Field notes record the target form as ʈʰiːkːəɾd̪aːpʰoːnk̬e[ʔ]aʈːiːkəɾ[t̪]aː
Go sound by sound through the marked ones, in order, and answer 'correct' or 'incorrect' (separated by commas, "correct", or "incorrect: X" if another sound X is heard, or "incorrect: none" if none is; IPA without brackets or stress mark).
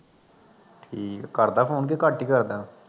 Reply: incorrect: k, incorrect: d̪